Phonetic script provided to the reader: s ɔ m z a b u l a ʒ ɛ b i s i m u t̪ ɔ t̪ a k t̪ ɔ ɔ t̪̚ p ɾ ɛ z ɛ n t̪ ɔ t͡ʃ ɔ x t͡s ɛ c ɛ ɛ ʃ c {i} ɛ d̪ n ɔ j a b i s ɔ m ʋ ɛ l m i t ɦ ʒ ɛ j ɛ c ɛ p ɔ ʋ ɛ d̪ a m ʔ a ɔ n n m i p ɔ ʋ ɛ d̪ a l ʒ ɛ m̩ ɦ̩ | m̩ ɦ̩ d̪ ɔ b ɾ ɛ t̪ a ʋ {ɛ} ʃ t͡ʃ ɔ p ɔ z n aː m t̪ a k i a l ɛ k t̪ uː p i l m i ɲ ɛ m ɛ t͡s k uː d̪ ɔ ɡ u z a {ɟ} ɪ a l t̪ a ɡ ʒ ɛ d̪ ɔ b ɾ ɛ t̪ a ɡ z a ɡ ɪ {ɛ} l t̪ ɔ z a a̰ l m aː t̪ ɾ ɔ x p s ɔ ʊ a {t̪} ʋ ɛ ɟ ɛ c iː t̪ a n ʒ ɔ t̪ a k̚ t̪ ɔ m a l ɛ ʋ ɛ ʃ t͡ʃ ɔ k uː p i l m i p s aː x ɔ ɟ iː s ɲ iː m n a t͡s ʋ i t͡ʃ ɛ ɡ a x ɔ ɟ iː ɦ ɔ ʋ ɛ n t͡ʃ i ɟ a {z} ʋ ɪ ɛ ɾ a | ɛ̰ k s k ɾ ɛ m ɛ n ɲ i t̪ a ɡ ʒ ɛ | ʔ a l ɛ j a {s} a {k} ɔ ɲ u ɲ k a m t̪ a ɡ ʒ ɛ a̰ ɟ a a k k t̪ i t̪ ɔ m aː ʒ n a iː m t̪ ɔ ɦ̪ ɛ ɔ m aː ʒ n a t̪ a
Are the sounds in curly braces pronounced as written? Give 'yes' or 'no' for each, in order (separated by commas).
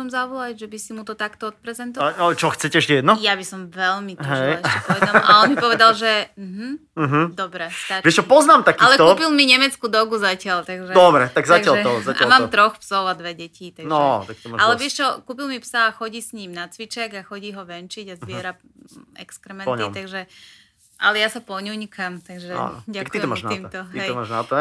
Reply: no, yes, no, no, no, yes, yes, no